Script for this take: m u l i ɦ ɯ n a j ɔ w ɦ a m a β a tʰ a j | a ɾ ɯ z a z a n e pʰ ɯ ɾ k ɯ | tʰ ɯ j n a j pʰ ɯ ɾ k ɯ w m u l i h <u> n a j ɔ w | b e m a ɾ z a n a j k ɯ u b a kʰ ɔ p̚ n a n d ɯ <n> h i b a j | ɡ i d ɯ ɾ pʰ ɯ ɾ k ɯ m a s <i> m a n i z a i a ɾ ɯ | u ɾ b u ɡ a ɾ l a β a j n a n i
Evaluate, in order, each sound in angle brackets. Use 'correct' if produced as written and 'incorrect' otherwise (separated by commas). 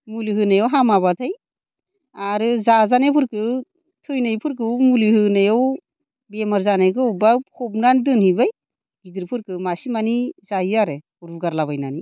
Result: incorrect, correct, correct